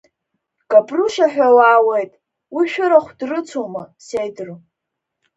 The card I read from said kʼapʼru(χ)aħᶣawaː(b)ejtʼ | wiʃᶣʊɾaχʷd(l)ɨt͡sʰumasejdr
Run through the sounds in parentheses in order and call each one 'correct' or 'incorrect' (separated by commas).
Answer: incorrect, incorrect, incorrect